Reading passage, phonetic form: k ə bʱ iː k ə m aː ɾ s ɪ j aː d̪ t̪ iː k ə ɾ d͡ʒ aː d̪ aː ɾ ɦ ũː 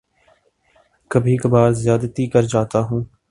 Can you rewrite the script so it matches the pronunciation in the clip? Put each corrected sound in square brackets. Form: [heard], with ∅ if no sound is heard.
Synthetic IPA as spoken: k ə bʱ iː k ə [b] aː ɾ [z] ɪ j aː d̪ t̪ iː k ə ɾ d͡ʒ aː [t̪] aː [∅] ɦ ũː